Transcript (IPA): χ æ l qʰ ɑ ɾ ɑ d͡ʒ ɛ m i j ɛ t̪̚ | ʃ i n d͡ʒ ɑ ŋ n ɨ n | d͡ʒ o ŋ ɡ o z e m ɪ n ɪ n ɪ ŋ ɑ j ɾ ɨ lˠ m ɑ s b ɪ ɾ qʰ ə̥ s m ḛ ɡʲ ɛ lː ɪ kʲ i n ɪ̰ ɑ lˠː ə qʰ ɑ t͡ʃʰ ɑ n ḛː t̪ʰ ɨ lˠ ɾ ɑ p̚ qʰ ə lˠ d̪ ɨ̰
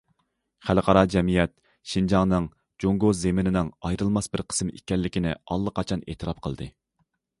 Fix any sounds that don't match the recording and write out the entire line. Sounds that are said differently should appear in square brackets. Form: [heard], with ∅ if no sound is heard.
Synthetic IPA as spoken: χ æ l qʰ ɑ ɾ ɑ d͡ʒ ɛ m i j ɛ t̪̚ | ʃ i n d͡ʒ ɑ ŋ n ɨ [ŋ] | d͡ʒ o ŋ ɡ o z e m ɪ n ɪ n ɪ ŋ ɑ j ɾ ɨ lˠ m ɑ s b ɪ ɾ qʰ ə̥ s m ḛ [kʲ] ɛ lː ɪ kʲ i n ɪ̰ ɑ lˠː ə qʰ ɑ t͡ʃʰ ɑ n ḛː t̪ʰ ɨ [∅] ɾ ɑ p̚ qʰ ə lˠ d̪ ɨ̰